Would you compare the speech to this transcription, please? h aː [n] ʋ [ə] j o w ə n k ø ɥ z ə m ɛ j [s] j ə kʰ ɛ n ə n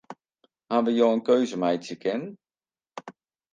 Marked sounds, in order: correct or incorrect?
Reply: correct, correct, incorrect

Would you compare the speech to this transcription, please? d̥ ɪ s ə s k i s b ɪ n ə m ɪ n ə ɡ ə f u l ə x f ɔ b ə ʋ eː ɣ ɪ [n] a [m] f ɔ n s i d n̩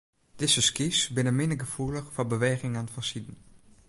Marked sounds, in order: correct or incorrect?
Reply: incorrect, incorrect

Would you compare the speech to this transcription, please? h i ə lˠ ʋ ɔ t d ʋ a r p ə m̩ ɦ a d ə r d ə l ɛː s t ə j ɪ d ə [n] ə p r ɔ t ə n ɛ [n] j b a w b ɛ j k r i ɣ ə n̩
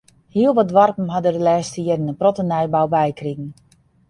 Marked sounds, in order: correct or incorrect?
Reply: correct, incorrect

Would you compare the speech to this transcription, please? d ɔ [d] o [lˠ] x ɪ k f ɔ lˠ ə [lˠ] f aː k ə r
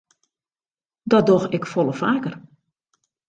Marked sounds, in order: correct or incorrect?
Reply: correct, incorrect, incorrect

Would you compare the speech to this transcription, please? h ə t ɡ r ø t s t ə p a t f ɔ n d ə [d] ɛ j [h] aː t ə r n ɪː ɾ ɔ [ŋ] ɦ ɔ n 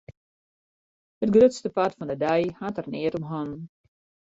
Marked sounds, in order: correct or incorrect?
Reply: correct, correct, incorrect

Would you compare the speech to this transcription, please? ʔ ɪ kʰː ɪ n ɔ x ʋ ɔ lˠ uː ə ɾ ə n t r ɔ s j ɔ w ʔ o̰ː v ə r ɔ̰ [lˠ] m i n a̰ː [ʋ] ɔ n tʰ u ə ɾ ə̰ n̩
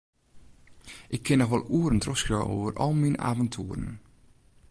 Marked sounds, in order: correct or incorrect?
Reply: correct, incorrect

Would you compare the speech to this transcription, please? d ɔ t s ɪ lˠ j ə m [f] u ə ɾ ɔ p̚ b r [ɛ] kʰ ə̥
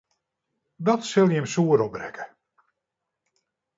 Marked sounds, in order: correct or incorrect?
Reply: incorrect, correct

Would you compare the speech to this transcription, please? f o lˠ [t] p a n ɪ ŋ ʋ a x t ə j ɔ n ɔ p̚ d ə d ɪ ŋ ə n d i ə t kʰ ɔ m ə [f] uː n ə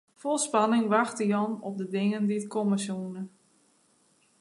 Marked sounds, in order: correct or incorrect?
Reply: incorrect, incorrect

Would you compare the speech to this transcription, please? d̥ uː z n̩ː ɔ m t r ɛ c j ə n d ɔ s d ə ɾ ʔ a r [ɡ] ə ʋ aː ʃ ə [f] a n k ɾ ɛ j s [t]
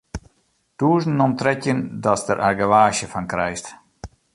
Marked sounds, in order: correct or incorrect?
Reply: correct, correct, correct

